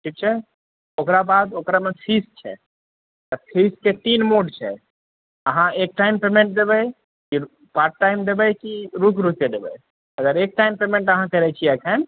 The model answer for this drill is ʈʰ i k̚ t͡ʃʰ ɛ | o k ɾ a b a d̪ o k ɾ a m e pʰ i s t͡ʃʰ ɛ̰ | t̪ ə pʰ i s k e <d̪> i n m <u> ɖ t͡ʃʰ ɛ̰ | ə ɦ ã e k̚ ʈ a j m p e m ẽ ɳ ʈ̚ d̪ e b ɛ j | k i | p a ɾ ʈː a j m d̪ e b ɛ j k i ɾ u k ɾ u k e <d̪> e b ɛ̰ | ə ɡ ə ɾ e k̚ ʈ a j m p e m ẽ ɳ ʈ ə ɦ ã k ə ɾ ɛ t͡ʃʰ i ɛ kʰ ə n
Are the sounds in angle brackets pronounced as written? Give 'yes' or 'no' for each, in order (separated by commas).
no, no, yes